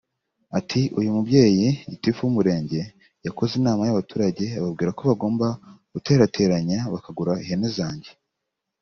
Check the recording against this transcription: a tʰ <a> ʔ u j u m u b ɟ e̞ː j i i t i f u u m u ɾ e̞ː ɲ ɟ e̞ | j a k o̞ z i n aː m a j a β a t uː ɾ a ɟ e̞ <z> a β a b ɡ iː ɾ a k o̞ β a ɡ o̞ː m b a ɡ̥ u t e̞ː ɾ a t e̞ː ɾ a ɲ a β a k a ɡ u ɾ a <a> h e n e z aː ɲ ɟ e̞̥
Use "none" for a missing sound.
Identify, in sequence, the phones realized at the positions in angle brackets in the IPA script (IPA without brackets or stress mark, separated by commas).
i, none, i